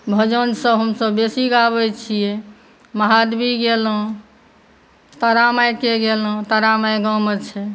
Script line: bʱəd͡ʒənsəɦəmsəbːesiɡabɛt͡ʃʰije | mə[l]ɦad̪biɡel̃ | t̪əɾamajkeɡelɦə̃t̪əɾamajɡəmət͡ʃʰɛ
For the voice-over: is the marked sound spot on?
no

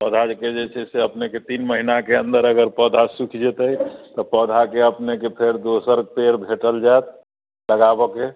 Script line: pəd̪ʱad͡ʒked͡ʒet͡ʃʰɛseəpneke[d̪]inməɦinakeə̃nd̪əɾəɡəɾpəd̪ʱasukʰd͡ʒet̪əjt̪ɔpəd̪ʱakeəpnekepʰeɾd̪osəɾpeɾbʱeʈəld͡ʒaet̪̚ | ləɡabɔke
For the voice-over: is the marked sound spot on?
no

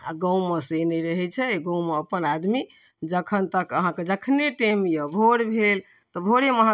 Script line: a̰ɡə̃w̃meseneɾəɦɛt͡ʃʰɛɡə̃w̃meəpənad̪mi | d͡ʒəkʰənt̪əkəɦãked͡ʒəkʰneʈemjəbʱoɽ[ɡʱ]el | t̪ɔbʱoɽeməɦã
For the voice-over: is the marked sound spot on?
no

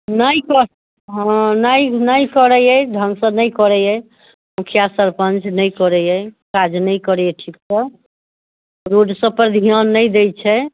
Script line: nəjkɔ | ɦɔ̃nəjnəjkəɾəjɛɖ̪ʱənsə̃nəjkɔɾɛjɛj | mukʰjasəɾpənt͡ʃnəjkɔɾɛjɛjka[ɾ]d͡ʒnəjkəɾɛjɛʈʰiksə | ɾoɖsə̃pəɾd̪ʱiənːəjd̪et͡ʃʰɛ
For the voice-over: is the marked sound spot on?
no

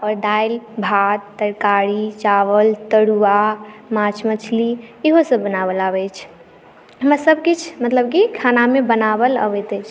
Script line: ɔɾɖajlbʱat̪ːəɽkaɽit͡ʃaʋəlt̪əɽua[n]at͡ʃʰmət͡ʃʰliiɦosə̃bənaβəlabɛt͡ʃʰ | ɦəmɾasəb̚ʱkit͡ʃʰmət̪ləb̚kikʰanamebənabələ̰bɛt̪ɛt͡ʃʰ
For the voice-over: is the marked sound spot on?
no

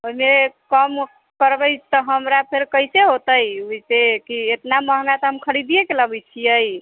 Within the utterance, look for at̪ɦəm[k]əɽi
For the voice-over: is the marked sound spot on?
no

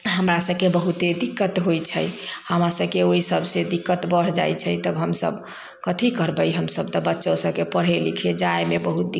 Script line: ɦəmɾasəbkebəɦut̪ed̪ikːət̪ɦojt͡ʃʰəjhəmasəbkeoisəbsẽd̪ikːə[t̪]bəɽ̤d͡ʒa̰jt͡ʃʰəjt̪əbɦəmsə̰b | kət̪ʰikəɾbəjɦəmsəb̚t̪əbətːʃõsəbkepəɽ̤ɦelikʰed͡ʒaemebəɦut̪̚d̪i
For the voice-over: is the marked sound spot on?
yes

